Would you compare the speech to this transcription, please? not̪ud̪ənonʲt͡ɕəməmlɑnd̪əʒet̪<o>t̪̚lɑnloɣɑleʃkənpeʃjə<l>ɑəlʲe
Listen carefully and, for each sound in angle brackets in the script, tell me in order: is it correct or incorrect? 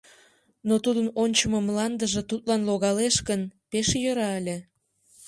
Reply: incorrect: u, incorrect: ɾ

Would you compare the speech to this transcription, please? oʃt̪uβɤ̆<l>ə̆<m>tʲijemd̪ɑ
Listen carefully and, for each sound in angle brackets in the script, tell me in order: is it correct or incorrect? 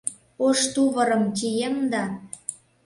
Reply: incorrect: ɾ, correct

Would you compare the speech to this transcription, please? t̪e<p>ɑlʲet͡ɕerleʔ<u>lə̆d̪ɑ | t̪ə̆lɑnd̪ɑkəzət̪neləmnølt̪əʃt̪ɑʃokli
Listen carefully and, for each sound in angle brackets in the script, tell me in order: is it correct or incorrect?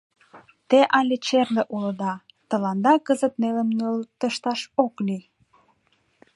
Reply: incorrect: ʔ, correct

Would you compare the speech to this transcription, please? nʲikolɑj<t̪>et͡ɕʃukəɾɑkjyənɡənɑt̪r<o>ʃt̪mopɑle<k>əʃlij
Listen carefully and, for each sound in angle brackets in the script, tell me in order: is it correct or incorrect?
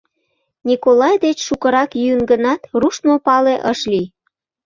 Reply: incorrect: d̪, incorrect: u, incorrect: ʔ

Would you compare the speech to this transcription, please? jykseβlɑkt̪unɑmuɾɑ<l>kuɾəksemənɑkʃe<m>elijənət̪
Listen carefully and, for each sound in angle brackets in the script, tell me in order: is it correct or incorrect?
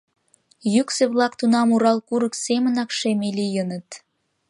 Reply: correct, correct

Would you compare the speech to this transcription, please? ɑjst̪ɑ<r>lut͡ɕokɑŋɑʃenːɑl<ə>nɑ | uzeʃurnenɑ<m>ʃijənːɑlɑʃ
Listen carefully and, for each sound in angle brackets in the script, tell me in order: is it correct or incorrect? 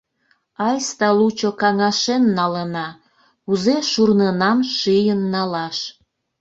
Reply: incorrect: none, correct, correct

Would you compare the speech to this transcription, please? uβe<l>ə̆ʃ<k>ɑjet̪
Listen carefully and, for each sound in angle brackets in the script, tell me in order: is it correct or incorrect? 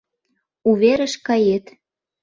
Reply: incorrect: ɾ, correct

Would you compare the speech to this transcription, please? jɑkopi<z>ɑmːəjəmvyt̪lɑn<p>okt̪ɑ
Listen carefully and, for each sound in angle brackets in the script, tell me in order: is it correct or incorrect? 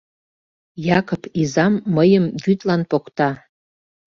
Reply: correct, correct

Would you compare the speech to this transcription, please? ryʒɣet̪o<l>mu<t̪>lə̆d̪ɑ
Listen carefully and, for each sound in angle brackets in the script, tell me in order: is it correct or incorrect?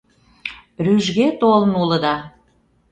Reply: correct, incorrect: none

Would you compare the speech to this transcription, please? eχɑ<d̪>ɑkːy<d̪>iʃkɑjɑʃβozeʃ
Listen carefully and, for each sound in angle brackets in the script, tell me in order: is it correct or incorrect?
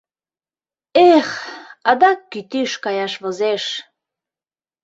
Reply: correct, incorrect: t̪

